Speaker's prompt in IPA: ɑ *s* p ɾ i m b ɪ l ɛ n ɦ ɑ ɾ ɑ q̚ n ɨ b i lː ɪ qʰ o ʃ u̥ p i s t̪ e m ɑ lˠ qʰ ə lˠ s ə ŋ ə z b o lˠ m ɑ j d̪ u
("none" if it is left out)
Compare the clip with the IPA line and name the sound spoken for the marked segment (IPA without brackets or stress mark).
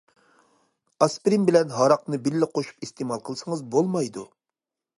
s